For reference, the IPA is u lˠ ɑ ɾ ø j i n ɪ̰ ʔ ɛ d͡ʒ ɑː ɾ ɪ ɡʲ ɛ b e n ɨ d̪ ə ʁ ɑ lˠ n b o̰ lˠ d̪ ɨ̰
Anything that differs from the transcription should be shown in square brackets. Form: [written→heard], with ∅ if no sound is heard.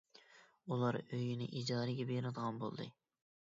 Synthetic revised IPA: u lˠ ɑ ɾ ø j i n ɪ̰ ʔ [ɛ→i] d͡ʒ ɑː ɾ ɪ ɡʲ ɛ b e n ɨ d̪ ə ʁ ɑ [lˠ→∅] n b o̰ lˠ d̪ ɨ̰